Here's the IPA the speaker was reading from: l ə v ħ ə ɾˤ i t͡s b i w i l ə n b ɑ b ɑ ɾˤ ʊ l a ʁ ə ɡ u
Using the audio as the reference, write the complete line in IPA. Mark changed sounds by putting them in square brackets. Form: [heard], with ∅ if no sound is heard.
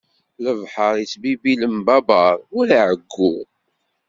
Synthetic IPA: l ə v ħ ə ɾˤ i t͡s b i [b] i l ə [m] b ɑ b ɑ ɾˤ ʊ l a [ʕ] ə [ɡː] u